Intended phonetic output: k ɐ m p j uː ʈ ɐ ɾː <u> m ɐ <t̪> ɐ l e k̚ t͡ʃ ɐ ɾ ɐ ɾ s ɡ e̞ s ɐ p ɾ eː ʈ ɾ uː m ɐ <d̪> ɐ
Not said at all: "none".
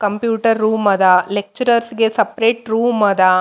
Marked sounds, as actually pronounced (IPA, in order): uː, d̪, d̪

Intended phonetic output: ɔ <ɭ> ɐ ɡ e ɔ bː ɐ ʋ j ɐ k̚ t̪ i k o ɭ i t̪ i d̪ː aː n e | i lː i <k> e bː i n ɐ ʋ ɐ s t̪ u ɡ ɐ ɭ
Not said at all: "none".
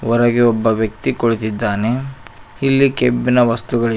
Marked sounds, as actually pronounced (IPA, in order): ɾ, k

